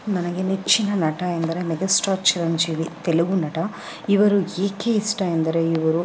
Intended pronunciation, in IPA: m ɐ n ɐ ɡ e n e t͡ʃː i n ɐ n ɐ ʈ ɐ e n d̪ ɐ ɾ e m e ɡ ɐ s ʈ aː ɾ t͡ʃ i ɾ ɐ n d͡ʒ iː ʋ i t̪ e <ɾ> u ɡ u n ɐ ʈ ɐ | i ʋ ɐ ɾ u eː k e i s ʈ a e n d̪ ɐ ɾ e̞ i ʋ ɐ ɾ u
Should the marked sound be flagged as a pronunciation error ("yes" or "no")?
yes